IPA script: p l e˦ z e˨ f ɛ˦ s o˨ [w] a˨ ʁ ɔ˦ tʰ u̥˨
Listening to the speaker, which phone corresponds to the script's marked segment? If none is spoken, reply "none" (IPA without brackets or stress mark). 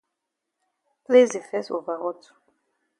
v